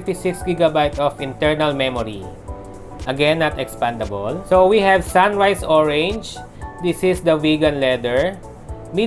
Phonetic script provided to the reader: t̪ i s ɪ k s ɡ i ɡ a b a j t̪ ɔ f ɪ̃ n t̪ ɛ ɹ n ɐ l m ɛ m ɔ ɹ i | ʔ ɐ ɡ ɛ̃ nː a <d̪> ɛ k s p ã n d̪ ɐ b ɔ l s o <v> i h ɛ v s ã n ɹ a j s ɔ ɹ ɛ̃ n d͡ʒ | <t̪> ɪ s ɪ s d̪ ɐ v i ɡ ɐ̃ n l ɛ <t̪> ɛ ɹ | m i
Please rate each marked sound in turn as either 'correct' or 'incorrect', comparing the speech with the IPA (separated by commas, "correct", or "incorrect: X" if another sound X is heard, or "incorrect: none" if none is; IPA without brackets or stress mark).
incorrect: t̪, incorrect: w, incorrect: d̪, incorrect: d̪